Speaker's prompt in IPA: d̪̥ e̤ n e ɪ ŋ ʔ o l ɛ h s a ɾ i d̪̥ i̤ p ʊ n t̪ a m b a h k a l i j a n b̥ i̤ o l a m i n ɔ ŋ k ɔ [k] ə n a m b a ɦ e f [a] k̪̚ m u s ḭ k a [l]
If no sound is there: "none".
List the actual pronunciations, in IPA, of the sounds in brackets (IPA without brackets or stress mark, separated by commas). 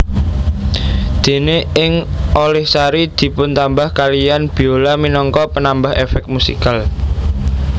p, ɛ, l